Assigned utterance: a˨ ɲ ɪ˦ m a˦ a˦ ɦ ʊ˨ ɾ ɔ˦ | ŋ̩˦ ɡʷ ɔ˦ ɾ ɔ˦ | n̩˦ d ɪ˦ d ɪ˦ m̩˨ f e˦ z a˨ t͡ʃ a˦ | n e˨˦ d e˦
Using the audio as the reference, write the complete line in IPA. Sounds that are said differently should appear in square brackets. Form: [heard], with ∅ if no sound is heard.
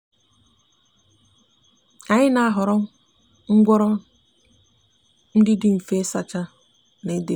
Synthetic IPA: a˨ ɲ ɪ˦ [n] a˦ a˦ ɦ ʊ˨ ɾ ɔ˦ | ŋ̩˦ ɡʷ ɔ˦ ɾ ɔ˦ | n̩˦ d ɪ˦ d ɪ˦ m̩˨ f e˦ [s] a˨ t͡ʃ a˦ | n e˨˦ d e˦

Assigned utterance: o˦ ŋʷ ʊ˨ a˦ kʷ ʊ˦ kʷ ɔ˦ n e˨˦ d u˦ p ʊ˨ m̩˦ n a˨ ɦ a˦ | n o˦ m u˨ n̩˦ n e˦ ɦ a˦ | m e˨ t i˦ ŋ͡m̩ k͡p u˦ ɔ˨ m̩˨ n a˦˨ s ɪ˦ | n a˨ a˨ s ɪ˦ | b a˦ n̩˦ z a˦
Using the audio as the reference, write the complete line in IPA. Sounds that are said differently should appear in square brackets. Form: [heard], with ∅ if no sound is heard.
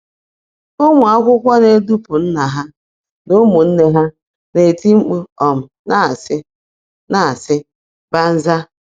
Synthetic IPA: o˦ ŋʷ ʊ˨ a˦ kʷ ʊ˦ kʷ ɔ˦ n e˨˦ d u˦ p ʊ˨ [n̩˦] n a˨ ɦ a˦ | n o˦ m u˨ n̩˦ n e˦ ɦ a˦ | [n] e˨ t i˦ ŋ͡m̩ k͡p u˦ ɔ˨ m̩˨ n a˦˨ s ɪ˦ | n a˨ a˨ s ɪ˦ | b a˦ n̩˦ z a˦

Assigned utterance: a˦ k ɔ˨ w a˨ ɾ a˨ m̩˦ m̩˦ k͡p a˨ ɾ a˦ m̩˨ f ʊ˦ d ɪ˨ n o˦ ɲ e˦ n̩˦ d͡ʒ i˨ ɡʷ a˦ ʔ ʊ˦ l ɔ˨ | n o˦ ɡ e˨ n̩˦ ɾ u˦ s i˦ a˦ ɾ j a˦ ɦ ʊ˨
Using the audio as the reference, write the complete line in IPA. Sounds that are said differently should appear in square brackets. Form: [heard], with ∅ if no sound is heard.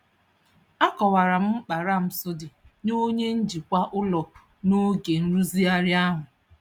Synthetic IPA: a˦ k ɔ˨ w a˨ ɾ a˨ m̩˦ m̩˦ k͡p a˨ ɾ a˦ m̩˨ [s] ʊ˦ d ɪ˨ n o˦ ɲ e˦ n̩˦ d͡ʒ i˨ [kʷ] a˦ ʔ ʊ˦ l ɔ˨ | n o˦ ɡ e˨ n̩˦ ɾ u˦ [z] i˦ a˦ ɾ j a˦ ɦ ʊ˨

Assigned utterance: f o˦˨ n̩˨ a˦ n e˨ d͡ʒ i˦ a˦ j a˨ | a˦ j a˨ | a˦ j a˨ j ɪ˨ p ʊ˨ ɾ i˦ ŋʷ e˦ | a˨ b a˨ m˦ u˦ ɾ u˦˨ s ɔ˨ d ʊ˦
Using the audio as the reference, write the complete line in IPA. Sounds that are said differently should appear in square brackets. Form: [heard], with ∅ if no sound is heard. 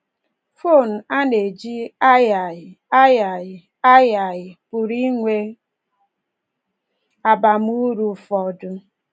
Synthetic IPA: f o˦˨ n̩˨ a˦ n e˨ d͡ʒ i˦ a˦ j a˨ | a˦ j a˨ | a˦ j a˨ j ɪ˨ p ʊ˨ ɾ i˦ ŋʷ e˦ | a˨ b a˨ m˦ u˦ ɾ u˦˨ [f] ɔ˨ d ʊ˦

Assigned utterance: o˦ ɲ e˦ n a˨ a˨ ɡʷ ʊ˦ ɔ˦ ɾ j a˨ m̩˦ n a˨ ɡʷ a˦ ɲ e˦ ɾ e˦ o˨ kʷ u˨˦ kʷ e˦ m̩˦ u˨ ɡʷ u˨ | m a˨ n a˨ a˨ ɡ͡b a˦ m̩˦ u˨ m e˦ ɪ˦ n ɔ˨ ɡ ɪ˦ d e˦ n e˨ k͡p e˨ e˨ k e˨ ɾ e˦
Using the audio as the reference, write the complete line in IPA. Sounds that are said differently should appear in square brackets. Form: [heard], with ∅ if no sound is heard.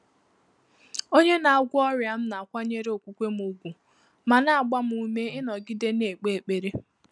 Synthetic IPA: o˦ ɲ e˦ n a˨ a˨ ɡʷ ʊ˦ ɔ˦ ɾ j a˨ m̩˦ n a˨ [kʷ] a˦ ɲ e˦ ɾ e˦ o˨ kʷ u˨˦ kʷ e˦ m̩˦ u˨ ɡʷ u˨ | m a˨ n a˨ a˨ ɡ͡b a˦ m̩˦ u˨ m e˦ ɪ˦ n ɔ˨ ɡ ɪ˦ d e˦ n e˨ k͡p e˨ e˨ [k͡p] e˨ ɾ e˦

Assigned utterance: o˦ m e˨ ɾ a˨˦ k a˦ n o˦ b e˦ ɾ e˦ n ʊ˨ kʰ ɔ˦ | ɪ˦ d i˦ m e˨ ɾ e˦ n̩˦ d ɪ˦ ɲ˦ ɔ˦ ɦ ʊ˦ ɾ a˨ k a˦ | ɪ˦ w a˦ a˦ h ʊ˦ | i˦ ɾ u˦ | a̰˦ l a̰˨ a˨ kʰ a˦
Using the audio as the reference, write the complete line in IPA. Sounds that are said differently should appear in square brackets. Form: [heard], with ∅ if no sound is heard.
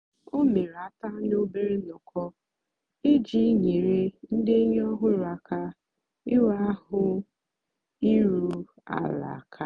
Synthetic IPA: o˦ m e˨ ɾ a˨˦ [t] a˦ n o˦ b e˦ ɾ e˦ n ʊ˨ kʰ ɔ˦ | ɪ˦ [d͡ʒ] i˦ [ɲ] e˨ ɾ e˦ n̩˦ d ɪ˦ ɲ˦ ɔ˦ ɦ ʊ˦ ɾ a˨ k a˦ | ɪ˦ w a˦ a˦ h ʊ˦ | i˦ ɾ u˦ | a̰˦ l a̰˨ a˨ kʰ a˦

